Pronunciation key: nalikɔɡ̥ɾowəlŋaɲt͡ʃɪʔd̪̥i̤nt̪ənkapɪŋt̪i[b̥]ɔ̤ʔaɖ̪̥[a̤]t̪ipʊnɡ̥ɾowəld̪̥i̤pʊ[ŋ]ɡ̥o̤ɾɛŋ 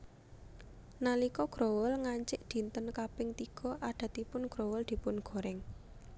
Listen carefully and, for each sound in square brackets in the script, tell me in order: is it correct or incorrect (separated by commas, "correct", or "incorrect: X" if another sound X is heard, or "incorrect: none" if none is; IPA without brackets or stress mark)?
incorrect: ɡ̥, correct, incorrect: n